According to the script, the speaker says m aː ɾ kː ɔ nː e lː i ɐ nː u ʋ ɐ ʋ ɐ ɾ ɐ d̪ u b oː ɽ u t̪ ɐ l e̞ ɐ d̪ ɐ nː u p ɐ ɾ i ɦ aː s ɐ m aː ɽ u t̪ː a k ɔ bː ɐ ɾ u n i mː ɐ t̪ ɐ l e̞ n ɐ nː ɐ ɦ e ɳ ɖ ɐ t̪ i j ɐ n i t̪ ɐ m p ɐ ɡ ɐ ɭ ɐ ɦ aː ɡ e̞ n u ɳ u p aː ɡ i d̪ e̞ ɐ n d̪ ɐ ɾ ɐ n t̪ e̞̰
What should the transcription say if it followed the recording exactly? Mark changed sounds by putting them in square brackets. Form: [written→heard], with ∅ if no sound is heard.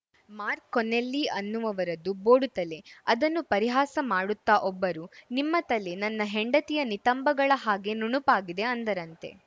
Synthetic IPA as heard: m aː ɾ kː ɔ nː e lː i ɐ nː u ʋ ɐ ʋ ɐ ɾ ɐ d̪ u b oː ɽ u t̪ ɐ l e̞ ɐ d̪ ɐ nː u p ɐ ɾ i ɦ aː s ɐ m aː ɽ u t̪ː a [k→ʔ] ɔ bː ɐ ɾ u n i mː ɐ t̪ ɐ l e̞ n ɐ nː ɐ ɦ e ɳ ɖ ɐ t̪ i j ɐ n i t̪ ɐ m [p→b] ɐ ɡ ɐ ɭ ɐ ɦ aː ɡ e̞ n u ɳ u p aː ɡ i d̪ e̞ ɐ n d̪ ɐ ɾ ɐ n t̪ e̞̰